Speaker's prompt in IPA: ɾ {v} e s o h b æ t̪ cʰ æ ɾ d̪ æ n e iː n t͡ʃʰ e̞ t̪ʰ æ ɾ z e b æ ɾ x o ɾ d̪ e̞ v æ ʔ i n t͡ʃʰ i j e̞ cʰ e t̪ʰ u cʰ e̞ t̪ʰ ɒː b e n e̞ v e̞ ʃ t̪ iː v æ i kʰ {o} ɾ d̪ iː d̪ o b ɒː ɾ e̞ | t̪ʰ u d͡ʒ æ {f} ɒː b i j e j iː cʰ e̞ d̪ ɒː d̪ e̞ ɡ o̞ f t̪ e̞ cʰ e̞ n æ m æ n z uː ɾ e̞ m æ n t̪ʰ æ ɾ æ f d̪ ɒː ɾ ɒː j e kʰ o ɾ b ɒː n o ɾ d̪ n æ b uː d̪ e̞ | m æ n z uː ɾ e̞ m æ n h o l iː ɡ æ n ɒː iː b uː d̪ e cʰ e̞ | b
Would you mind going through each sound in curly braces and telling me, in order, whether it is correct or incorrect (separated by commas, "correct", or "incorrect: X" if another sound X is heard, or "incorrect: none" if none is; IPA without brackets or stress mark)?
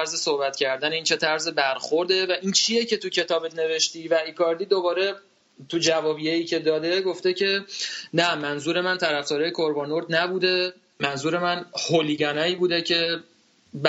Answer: incorrect: z, incorrect: ɒ, incorrect: v